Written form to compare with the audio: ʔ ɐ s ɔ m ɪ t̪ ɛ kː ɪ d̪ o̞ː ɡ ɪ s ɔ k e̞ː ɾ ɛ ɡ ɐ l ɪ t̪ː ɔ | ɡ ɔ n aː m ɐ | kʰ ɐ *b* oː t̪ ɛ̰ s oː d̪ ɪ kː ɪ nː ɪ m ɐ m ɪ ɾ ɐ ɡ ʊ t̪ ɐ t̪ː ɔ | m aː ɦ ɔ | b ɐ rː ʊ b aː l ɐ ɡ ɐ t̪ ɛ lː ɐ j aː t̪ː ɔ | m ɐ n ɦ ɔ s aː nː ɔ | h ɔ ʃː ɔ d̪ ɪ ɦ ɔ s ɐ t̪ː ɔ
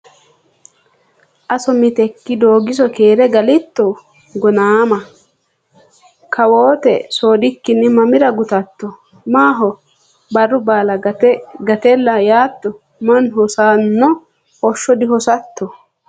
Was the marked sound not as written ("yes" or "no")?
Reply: yes